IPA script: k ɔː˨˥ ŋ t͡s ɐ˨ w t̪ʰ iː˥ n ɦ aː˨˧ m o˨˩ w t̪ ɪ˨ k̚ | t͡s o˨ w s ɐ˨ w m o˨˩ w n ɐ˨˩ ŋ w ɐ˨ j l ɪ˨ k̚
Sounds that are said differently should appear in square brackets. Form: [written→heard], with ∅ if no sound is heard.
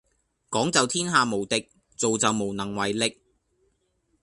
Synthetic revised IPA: k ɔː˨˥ ŋ t͡s ɐ˨ w t̪ʰ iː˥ n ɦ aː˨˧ m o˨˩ w t̪ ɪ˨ k̚ | t͡s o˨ w [s→t͡s] ɐ˨ w m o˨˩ w n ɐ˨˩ ŋ w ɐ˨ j l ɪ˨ k̚